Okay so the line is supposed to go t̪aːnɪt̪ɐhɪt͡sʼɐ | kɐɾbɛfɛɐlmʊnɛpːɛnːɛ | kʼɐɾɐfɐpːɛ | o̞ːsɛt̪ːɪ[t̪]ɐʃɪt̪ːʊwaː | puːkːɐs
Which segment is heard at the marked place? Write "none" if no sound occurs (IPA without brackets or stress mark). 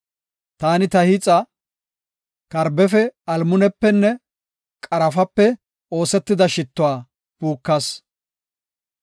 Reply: d̪